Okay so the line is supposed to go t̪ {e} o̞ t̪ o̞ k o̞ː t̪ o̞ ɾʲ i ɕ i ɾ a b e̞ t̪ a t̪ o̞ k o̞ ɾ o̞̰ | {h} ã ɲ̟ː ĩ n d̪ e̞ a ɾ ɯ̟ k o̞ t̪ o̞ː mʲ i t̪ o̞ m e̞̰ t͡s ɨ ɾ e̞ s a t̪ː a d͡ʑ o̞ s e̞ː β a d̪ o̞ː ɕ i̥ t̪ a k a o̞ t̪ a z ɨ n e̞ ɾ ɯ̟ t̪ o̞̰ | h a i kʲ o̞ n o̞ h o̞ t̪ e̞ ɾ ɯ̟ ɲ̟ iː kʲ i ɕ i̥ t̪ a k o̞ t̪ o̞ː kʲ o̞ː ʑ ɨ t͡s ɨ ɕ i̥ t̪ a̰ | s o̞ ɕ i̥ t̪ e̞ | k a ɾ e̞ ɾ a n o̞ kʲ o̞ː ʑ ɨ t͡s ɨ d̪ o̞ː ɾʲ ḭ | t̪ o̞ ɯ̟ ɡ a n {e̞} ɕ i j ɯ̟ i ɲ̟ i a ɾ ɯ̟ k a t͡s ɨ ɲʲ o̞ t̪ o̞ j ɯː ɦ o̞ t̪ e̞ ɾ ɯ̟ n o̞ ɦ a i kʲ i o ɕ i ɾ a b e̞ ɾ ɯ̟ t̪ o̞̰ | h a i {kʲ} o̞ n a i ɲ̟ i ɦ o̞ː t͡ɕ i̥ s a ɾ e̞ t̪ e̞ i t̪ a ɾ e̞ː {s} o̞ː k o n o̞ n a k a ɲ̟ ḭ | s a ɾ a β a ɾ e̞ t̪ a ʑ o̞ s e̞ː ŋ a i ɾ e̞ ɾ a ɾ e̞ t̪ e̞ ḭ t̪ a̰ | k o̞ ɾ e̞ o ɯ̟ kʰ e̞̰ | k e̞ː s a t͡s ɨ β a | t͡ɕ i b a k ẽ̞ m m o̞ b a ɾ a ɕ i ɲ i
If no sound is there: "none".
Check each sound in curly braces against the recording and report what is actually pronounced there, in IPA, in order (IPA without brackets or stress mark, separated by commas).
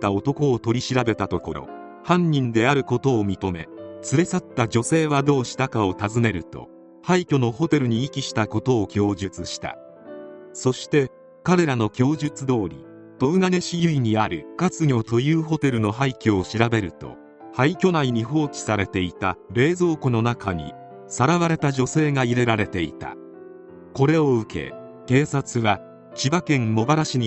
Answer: a, h, e̞, kʲ, z